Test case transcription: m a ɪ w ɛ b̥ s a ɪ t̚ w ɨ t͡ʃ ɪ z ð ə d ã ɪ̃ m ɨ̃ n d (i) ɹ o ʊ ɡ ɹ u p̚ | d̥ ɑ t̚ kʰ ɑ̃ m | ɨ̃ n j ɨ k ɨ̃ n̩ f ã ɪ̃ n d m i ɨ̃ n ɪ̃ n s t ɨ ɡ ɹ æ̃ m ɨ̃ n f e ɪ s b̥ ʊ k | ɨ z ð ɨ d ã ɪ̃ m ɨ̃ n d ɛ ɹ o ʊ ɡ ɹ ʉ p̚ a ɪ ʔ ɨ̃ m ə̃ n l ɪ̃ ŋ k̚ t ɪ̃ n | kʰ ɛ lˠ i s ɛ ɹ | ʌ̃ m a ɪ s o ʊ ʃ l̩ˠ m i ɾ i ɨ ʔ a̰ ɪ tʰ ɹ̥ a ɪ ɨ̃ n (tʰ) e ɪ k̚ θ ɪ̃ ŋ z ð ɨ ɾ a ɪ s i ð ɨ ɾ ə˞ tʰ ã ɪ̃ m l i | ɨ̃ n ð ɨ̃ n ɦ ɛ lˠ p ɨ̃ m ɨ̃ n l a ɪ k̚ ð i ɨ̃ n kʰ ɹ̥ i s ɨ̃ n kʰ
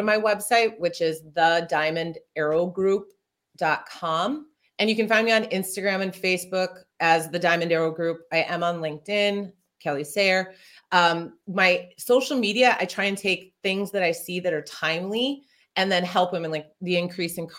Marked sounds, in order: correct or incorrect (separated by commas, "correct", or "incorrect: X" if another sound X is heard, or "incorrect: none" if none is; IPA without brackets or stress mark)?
incorrect: ɛ, correct